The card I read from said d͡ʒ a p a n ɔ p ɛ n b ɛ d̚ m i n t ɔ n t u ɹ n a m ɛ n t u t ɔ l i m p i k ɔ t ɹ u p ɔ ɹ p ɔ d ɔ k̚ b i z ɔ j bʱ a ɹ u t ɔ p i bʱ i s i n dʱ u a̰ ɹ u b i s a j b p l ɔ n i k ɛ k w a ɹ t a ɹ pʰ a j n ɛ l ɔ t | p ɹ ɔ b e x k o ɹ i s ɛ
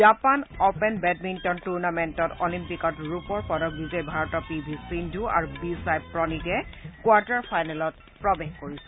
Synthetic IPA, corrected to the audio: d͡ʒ a p a n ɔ p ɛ n b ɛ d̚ m i n t ɔ n t u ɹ n a m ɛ n t ɔ t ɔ l i m p i k ɔ t ɹ u p ɔ ɹ p ɔ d ɔ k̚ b i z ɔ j bʱ a ɹ ɔ t ɔ p i bʱ i s i n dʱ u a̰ ɹ u b i s a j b p ɹ ɔ n i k ɛ k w a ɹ t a ɹ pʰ a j n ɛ l ɔ t | p ɹ ɔ b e x k o ɹ i s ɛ

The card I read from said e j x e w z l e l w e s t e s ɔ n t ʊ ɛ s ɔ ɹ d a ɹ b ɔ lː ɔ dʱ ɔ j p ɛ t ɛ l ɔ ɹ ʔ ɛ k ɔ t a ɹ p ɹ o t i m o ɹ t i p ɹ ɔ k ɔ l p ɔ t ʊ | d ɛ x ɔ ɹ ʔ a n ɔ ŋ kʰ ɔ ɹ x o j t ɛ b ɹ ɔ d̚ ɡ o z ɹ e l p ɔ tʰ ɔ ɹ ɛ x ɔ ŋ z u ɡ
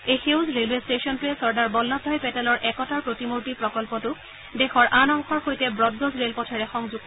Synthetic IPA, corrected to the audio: e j x e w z ɹ e l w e s t e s ɔ n t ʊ ɛ s ɔ ɹ d a ɹ b ɔ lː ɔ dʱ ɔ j p ɛ t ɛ l ɔ ɹ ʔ ɛ k ɔ t a ɹ p ɹ o t i m o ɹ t i p ɹ ɔ k ɔ l p ɔ t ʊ | d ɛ x ɔ ɹ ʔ a n ɔ ŋ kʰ ɔ ɹ x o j t ɛ b ɹ ɔ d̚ ɡ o z ɹ e l p ɔ tʰ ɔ ɹ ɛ x ɔ ŋ z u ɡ

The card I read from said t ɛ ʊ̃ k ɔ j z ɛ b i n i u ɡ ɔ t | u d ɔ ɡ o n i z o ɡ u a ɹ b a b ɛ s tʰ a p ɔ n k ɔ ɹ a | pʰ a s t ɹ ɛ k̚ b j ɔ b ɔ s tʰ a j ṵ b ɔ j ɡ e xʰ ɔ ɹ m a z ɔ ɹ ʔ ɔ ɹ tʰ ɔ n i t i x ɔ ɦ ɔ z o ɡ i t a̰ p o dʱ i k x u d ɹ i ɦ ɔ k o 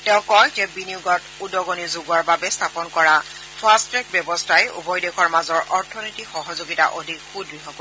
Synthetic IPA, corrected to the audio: t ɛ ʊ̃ k ɔ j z ɛ b i n i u ɡ ɔ t | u d ɔ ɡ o n i z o ɡ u a ɹ b a b ɛ s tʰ a p ɔ n k ɔ ɹ a | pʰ a s t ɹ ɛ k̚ b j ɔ b ɔ s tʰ a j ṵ b ɔ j d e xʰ ɔ ɹ m a z ɔ ɹ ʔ ɔ ɹ tʰ ɔ n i t i x ɔ ɦ ɔ z o ɡ i t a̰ ʔ o dʱ i k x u d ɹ i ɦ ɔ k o

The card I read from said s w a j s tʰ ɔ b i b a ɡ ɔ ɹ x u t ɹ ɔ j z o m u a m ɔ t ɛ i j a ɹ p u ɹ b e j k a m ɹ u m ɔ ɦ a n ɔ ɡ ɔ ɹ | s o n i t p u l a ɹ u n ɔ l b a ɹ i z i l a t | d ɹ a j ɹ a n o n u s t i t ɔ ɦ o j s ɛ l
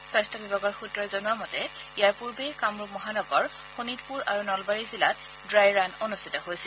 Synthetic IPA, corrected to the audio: s w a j s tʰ ɔ b i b a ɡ ɔ ɹ x u t ɹ ɔ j z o n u a m ɔ t ɛ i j a ɹ p u ɹ b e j k a m ɹ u m ɔ ɦ a n ɔ ɡ ɔ ɹ | x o n i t p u ɹ a ɹ u n ɔ l b a ɹ i z i l a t | d ɹ a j ɹ a n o n u s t i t ɔ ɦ o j s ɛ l

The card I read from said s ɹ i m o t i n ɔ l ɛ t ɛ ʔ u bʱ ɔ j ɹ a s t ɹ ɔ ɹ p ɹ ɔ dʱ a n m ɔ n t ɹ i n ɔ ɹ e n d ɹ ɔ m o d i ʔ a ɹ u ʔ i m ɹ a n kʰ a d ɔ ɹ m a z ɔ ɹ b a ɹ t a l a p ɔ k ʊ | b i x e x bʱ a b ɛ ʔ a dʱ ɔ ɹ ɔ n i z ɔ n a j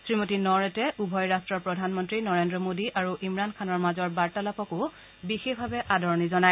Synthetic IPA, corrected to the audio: s ɹ i m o t i n ɔ ɹ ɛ t ɛ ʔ u bʱ ɔ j ɹ a s t ɹ ɔ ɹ p ɹ ɔ dʱ a n m ɔ n t ɹ i n ɔ ɹ e n d ɹ ɔ m o d i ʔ a ɹ u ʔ i m ɹ a n kʰ a n ɔ ɹ m a z ɔ ɹ b a ɹ t a l a p ɔ k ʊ | b i x e x bʱ a b ɛ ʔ a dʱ ɔ ɹ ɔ n i z ɔ n a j

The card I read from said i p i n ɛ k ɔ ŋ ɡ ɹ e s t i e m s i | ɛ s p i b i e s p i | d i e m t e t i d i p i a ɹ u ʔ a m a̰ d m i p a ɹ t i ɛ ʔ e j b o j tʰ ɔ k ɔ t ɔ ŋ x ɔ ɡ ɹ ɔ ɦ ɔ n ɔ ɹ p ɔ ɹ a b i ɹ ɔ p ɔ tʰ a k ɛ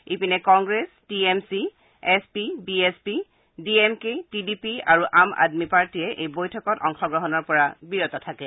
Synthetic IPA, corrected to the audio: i p i n ɛ k ɔ ŋ ɡ ɹ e s t i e m s i | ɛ s p i b i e s p i | d i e m k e t i d i p i a ɹ u ʔ a m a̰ d m i p a ɹ t i ɛ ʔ e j b o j tʰ ɔ k ɔ t ɔ ŋ x ɔ ɡ ɹ ɔ ɦ ɔ n ɔ ɹ p ɔ ɹ a b i ɹ ɔ t ɔ tʰ a k ɛ

